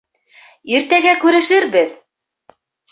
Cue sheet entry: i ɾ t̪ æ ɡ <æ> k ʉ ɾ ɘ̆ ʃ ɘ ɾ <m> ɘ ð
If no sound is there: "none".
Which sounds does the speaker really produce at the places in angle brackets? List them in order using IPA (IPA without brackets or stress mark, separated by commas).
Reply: æ, b